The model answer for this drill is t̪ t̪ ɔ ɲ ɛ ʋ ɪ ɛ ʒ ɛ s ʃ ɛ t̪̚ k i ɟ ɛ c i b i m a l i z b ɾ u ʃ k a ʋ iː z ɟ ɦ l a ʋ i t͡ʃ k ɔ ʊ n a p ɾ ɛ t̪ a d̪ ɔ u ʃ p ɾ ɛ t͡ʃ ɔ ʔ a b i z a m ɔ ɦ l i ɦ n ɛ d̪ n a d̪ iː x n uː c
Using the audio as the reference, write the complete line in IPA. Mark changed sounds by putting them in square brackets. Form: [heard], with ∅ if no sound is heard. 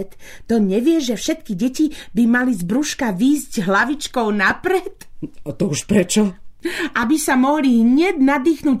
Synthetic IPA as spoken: t̪ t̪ ɔ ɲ ɛ ʋ ɪ ɛ ʒ ɛ [f] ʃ ɛ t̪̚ k i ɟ ɛ c i b i m a l i z b ɾ u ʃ k a ʋ iː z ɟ ɦ l a ʋ i t͡ʃ k ɔ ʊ n a p ɾ ɛ t̪ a [t̪] ɔ u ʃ p ɾ ɛ t͡ʃ ɔ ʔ a b i [s] a m ɔ ɦ l i ɦ [ɲ] ɛ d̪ n a d̪ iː x n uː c